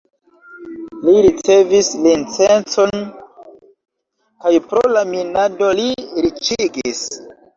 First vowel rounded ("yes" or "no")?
no